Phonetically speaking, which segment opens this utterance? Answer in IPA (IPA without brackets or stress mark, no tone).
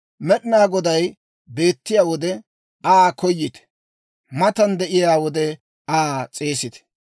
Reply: m